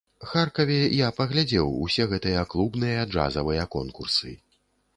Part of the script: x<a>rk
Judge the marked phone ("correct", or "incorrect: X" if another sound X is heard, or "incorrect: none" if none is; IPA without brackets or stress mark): correct